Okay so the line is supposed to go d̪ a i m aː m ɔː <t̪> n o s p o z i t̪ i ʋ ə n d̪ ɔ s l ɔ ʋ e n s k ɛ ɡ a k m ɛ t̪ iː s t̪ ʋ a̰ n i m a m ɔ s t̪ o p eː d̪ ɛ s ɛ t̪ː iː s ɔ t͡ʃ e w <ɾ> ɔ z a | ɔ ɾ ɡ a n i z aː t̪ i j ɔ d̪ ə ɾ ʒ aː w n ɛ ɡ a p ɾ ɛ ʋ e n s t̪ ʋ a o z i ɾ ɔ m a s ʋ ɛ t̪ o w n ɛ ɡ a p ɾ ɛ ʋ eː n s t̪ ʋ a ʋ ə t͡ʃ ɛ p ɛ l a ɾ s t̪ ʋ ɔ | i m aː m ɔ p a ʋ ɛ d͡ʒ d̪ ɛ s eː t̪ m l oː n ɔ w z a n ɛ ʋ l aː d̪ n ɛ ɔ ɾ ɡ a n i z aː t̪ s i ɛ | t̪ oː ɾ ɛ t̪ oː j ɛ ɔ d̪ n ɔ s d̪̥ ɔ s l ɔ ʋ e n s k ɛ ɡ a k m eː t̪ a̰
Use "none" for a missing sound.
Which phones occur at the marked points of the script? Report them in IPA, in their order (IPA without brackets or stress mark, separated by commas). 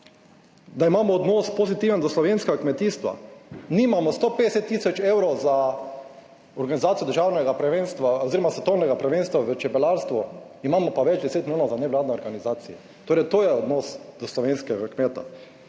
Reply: d̪, ɾ